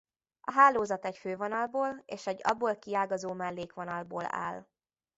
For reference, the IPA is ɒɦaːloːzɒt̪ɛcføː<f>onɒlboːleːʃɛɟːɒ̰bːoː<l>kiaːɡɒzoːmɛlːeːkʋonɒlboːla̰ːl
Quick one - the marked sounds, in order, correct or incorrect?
incorrect, correct

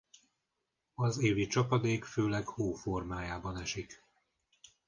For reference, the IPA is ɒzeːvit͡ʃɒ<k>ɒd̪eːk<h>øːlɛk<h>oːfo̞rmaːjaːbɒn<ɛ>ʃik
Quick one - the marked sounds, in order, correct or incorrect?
incorrect, incorrect, correct, correct

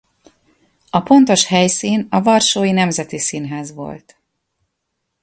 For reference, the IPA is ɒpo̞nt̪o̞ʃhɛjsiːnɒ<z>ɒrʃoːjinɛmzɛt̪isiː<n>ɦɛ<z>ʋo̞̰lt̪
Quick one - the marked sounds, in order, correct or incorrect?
incorrect, correct, correct

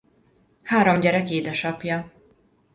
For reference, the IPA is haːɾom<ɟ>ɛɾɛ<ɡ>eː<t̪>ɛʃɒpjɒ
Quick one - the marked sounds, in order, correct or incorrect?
correct, incorrect, incorrect

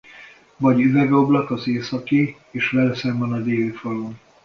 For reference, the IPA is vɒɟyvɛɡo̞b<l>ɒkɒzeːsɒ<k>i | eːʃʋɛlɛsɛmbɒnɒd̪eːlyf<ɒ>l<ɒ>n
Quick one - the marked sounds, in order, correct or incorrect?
correct, correct, correct, incorrect

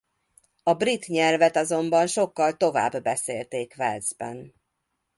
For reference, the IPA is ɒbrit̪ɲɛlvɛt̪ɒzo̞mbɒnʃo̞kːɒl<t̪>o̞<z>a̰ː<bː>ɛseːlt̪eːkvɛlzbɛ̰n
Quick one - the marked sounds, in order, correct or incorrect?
correct, incorrect, correct

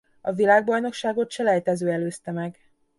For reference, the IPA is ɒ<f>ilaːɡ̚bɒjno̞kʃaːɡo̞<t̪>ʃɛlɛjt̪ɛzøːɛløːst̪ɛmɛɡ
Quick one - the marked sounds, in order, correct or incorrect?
incorrect, correct

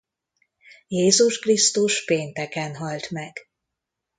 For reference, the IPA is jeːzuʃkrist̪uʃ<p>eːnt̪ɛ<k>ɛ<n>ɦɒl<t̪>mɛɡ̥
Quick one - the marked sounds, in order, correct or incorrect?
correct, correct, correct, correct

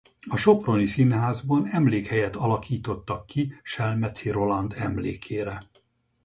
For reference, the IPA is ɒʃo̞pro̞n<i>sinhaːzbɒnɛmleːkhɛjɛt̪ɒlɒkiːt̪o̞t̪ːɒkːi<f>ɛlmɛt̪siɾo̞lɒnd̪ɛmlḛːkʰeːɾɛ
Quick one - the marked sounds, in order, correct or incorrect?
correct, incorrect

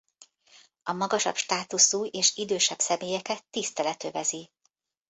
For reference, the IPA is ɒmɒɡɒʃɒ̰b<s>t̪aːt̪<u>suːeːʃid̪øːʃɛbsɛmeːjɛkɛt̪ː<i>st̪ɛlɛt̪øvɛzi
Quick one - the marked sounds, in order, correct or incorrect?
incorrect, correct, correct

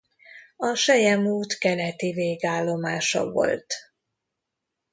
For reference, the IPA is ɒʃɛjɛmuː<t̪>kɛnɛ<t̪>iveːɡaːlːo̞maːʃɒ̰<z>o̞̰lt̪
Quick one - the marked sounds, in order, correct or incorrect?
correct, correct, incorrect

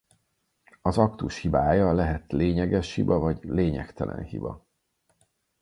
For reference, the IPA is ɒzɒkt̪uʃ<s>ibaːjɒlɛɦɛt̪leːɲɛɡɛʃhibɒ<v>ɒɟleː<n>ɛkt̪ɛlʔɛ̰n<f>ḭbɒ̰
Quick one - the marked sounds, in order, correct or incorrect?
incorrect, correct, incorrect, incorrect

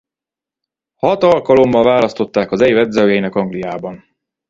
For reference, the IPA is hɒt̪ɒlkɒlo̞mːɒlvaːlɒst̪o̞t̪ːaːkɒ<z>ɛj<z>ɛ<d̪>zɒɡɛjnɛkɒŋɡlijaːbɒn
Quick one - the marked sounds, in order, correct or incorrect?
correct, incorrect, correct

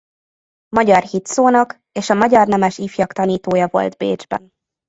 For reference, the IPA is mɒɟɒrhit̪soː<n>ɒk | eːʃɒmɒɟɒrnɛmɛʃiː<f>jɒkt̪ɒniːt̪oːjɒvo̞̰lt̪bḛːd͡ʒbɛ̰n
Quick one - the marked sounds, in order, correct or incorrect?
correct, correct

